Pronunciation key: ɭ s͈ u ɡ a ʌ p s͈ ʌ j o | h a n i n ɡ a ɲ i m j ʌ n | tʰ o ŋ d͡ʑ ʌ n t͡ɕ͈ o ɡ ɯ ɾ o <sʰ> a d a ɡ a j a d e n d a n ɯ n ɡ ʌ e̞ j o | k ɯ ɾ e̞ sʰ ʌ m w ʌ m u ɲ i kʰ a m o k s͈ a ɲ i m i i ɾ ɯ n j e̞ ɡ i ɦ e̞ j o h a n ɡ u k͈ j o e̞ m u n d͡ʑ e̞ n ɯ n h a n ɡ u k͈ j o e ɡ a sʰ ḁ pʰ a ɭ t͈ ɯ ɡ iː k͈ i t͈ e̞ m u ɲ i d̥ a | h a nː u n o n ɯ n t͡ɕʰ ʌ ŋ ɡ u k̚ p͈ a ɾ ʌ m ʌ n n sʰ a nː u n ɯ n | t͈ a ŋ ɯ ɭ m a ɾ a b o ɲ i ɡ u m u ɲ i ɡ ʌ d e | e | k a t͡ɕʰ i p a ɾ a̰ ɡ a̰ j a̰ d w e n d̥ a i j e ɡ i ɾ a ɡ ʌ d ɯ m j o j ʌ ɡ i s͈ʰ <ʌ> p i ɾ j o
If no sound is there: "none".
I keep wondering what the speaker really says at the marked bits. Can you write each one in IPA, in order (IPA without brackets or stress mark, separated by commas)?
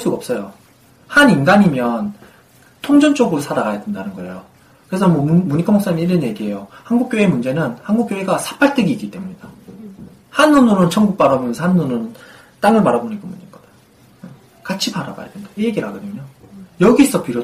sʰ, ʌ